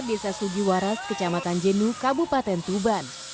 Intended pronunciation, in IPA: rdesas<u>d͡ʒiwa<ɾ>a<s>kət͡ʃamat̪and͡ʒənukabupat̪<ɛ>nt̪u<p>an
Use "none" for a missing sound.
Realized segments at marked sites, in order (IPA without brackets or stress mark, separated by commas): u, ɾ, s, ɛ, b